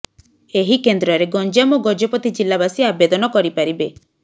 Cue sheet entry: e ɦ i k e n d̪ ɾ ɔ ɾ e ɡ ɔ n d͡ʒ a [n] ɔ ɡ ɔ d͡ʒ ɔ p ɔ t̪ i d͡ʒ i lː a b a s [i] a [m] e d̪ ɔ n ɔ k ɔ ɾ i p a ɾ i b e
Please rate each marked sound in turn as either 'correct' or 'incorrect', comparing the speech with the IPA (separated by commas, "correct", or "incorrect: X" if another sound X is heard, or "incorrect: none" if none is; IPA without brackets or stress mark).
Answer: incorrect: m, correct, incorrect: b